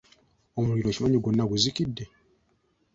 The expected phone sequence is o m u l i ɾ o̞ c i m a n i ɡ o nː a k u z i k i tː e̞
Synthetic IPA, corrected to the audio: o m u l i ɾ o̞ c i m a ɲ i ɡ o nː a ɡ u z i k i dː e̞